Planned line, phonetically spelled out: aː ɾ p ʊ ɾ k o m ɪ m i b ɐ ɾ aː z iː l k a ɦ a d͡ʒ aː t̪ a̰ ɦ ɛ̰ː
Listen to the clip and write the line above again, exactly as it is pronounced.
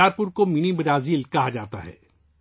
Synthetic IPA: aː ɾ p ʊ ɾ k o m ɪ n i b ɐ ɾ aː z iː l k ɐ ɦ a d͡ʒ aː t̪ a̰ ɦ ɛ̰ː

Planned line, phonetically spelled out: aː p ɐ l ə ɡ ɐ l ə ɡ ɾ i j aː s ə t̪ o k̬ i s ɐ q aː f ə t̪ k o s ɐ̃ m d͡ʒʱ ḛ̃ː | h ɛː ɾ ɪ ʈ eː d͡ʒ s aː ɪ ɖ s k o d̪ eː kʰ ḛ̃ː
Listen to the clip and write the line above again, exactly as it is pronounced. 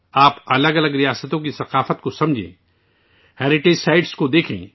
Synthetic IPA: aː p ɐ l ə ɡ ɐ l ə ɡ ɾ i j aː s ə t̪ õ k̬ i s ɐ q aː f ə t̪ k o s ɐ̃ m d͡ʒʱ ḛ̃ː | h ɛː ɾ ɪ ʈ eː d͡ʒ s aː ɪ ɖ s k o d̪ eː kʰ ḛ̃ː

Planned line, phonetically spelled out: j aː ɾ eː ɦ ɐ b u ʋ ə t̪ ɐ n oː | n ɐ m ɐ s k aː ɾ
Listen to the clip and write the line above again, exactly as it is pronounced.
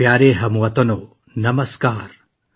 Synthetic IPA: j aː ɾ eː ɦ ɐ m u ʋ ɐ t̪ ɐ n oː | n ɐ m ɐ s k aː ɾ

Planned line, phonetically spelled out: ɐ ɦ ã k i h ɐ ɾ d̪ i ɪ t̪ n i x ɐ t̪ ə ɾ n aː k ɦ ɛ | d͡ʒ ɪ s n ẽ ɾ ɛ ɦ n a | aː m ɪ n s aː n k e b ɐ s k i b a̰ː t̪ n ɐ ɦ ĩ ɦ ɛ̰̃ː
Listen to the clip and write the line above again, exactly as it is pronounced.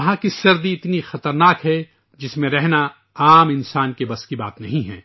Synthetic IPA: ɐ ɦ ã k i s ɐ ɾ d̪ i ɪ t̪ n i x ɐ t̪ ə ɾ n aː k ɦ ɛ | d͡ʒ ɪ s m ẽ ɾ ɛ ɦ n a | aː m ɪ n s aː n k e b ɐ s k i b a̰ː t̪ n ɐ ɦ ĩ ɦ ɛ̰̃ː

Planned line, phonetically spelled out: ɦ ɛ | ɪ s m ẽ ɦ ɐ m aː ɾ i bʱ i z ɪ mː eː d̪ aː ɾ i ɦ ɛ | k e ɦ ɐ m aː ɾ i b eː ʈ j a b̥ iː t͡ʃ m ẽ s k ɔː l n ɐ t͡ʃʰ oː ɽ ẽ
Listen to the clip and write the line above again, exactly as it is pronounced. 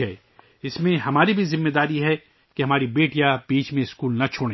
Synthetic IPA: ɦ ɛ | ɪ s m ẽ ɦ ɐ m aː ɾ i bʱ i z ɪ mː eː d̪ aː ɾ i ɦ ɛ | k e ɦ ɐ m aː ɾ i b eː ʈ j a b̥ iː t͡ʃ m ẽ s k uː l n ɐ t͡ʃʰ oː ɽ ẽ

